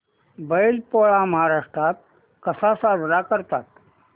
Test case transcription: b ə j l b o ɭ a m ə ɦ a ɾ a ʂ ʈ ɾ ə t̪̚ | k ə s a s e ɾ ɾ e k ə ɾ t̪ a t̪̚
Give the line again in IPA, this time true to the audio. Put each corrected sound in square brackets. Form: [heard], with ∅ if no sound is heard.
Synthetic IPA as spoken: b ə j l [p] o ɭ a m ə ɦ a ɾ a ʂ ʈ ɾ [a] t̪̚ | k ə s a s [a] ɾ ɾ [a] k ə ɾ t̪ a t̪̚